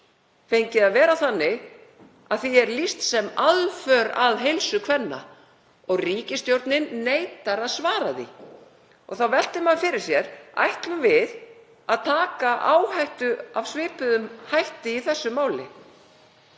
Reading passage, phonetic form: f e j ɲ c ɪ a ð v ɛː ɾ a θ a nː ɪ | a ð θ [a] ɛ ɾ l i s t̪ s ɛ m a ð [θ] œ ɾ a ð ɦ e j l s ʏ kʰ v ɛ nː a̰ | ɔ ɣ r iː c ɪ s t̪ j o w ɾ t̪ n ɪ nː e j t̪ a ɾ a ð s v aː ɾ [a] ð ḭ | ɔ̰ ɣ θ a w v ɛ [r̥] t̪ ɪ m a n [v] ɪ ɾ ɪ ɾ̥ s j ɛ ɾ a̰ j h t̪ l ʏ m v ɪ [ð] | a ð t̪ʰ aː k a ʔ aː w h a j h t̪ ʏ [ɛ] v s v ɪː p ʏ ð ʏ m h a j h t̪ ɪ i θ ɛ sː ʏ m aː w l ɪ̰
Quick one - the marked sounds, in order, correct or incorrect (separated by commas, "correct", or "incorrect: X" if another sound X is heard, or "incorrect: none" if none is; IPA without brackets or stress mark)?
incorrect: i, incorrect: f, correct, incorrect: l̥, incorrect: f, correct, incorrect: a